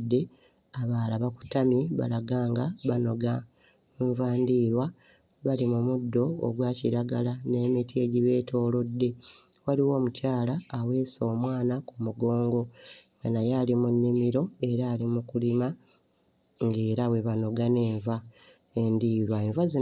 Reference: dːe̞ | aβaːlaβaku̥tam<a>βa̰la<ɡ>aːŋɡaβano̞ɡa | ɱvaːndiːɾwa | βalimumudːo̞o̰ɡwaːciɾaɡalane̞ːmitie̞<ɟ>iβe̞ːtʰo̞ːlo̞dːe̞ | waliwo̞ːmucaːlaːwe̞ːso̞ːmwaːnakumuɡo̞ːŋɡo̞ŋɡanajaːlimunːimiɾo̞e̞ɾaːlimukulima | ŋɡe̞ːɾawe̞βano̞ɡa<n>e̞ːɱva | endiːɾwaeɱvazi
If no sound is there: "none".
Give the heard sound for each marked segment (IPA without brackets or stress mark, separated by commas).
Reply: i, ɡ, ɟ, n